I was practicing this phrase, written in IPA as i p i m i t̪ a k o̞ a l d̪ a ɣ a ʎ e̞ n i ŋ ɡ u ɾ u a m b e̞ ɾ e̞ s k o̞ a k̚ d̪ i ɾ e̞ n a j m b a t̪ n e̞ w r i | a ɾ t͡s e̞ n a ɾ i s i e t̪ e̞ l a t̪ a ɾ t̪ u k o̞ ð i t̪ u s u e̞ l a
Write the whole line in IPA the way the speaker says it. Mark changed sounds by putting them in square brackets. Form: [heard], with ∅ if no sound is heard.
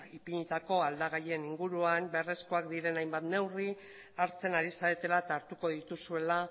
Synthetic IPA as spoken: i p i [ɲ] i t̪ a k o̞ a l d̪ a ɣ a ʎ e̞ n i ŋ ɡ u ɾ u a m b e̞ [r] e̞ s k o̞ a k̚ d̪ i ɾ e̞ n a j m b a t̪ n e̞ w r i | a ɾ t͡s e̞ n a ɾ i s [a] e t̪ e̞ l a t̪ a ɾ t̪ u k o̞ ð i t̪ u s u e̞ l a